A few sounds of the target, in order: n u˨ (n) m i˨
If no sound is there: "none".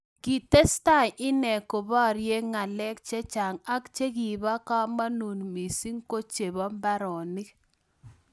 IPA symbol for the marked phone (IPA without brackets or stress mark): n